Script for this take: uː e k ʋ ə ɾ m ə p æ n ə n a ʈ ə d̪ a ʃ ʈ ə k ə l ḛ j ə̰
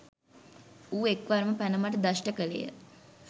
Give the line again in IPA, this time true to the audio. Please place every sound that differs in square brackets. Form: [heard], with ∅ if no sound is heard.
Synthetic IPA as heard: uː e k ʋ [a] ɾ m ə p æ n ə [m] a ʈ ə d̪ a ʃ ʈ ə k ə l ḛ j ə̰